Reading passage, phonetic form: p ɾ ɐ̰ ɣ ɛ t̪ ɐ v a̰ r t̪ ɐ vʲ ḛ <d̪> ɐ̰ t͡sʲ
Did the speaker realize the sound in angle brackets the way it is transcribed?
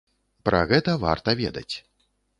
yes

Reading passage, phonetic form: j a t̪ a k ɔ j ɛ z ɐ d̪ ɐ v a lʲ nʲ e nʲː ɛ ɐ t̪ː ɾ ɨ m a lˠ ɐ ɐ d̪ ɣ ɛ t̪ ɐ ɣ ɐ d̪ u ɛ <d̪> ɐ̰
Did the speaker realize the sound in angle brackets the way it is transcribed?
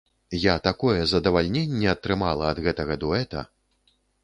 no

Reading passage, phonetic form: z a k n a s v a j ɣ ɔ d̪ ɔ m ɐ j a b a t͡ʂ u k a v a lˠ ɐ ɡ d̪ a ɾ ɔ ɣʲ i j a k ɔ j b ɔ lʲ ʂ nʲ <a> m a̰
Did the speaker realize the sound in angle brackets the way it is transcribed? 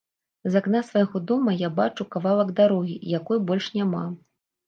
yes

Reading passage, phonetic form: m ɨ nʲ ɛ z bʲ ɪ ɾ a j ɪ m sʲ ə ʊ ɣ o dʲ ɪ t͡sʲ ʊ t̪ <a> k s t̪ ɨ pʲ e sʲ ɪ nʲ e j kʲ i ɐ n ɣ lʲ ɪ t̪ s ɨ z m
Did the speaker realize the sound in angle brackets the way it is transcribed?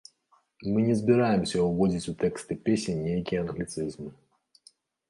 no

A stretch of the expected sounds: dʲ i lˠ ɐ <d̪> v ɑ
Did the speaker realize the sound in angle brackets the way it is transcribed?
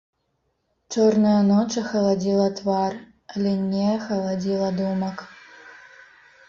no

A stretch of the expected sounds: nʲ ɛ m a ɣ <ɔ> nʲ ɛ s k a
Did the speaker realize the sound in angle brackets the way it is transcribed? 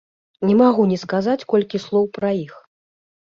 no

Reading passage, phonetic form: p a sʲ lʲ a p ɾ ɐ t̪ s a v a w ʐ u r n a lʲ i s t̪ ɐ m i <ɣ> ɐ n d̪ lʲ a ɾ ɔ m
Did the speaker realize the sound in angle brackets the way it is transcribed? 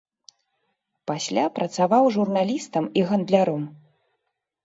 yes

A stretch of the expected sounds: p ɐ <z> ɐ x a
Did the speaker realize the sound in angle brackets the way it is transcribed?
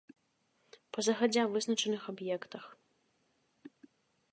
yes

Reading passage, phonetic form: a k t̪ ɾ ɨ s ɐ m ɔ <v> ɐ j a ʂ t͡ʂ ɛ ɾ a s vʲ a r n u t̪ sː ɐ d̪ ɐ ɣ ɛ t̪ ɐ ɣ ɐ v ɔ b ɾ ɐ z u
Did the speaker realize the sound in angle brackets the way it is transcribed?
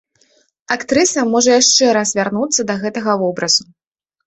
no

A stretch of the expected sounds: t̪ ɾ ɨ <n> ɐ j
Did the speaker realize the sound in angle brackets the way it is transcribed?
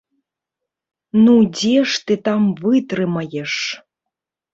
no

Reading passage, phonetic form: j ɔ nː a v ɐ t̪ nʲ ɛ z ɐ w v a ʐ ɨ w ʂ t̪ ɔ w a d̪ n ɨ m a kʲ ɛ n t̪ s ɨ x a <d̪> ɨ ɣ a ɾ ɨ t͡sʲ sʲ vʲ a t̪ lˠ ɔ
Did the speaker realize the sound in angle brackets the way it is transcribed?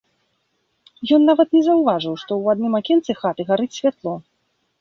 no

